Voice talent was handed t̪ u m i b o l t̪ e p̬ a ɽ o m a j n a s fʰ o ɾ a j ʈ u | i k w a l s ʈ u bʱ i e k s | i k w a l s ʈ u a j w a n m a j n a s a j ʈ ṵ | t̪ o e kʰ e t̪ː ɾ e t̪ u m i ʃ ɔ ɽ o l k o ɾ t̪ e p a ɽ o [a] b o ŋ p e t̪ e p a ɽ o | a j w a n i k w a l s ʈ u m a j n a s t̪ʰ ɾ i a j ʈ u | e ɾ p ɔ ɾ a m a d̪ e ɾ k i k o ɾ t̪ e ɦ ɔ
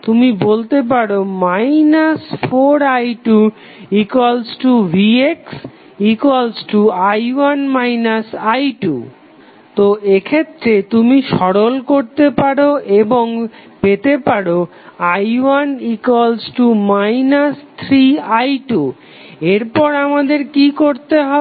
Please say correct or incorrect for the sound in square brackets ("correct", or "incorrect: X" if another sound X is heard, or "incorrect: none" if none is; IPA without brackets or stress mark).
incorrect: e